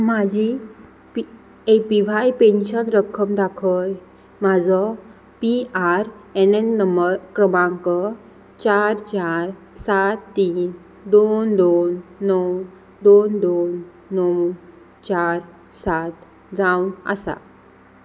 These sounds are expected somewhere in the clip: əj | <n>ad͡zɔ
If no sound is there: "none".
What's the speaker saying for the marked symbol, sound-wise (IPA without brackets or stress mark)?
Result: m